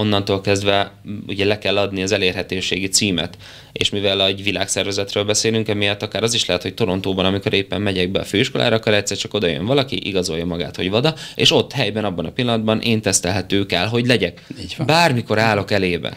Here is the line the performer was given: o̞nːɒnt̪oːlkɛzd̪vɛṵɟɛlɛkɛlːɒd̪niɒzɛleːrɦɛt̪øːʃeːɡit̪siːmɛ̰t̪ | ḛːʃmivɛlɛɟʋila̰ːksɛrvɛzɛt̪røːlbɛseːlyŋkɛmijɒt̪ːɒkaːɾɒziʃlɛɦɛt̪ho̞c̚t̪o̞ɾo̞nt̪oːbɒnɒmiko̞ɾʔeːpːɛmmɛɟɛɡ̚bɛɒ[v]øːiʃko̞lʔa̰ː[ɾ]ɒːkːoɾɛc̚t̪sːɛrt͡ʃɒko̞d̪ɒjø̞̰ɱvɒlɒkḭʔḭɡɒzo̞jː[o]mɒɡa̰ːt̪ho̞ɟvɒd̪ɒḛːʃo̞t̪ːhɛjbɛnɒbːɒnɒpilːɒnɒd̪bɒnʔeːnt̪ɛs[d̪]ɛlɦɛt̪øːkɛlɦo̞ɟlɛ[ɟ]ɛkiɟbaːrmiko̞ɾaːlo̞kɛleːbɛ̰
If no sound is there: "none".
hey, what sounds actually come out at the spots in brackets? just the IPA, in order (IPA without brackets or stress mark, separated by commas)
f, ɾ, ɒ, t̪, ɟ